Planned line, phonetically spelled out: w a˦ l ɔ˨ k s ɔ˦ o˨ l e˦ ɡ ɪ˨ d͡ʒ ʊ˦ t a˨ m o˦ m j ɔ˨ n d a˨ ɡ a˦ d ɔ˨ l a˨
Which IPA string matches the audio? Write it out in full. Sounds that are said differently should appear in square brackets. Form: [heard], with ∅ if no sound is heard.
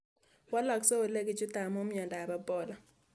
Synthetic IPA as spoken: w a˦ l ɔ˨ k s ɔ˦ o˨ l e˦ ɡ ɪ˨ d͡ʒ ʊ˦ t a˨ m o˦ m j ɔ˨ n d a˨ [b] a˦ [b] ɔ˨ l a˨